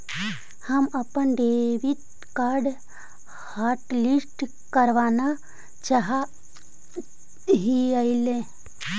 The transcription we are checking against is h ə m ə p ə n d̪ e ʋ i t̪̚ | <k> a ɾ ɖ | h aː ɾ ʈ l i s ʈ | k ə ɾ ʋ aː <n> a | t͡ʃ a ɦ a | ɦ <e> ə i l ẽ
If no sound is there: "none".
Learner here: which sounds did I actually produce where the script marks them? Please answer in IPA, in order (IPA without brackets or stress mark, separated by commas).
k, n, i